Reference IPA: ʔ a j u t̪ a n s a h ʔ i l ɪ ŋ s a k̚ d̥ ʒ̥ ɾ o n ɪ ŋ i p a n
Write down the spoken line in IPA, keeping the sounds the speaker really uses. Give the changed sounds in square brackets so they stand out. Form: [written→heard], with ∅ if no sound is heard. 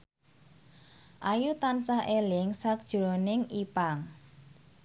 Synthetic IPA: ʔ a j u t̪ a n s a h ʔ [i→e] l ɪ ŋ s a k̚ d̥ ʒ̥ ɾ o n ɪ ŋ i p a [n→ŋ]